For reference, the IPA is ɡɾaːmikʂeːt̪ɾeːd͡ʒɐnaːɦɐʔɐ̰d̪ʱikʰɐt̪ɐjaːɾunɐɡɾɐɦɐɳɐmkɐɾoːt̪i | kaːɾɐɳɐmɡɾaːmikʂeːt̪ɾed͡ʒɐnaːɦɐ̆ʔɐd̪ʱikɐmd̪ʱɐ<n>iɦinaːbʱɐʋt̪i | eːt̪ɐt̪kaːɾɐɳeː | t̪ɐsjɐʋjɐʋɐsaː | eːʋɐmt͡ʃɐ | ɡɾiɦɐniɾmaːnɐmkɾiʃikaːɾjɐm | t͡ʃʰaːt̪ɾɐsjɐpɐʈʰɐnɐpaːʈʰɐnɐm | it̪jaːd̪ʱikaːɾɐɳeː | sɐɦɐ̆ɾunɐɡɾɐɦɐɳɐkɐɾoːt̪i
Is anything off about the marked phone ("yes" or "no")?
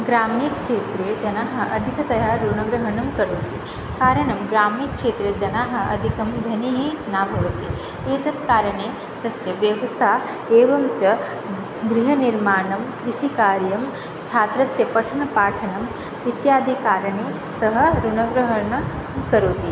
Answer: no